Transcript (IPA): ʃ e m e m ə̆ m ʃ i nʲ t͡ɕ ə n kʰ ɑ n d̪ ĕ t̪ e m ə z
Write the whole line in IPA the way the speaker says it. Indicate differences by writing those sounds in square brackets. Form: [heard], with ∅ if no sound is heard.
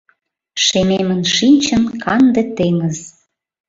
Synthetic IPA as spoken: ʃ e m e m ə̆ [n] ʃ i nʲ t͡ɕ ə n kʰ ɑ n d̪ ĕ t̪ e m ə z